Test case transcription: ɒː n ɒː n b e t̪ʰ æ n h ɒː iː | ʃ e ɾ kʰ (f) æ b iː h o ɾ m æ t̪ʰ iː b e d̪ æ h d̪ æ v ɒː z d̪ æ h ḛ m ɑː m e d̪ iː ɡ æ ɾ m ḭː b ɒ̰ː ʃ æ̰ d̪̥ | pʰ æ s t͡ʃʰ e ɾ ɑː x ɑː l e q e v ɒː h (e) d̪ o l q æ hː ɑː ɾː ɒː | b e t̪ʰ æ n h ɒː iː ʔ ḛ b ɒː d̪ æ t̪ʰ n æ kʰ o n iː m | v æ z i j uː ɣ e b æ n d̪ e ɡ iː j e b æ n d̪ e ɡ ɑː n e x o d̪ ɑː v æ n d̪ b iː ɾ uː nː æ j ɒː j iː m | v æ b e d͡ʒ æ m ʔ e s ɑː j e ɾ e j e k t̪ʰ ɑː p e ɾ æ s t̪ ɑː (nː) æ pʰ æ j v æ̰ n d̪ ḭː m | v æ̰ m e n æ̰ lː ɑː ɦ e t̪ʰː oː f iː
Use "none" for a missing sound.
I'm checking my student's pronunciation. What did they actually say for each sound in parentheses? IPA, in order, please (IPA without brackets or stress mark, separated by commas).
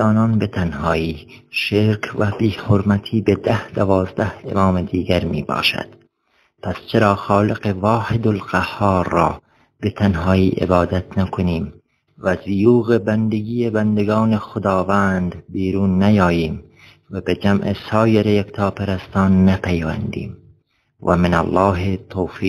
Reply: v, e, nː